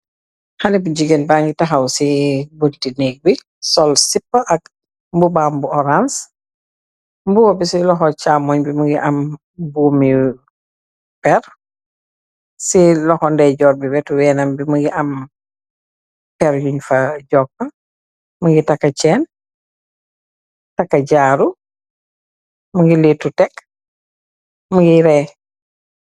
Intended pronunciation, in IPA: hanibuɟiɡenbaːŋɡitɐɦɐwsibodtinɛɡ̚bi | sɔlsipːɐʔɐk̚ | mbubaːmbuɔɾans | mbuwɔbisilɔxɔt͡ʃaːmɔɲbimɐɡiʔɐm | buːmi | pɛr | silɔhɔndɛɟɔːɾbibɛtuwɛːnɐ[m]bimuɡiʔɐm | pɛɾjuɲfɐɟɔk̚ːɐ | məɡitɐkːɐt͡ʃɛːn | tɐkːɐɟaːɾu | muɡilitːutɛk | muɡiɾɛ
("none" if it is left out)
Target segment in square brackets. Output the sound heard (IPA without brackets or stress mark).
m